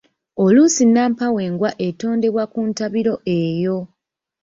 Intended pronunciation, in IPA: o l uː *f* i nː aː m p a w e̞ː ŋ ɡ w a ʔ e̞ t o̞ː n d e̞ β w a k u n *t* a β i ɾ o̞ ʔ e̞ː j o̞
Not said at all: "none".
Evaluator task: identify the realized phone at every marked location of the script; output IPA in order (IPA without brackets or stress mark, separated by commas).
s, t